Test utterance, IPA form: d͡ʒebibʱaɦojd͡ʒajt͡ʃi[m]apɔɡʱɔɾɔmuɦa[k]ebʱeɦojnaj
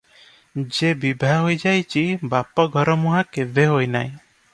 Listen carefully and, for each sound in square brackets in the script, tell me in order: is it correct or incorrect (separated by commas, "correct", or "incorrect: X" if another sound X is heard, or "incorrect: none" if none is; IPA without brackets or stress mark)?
incorrect: b, correct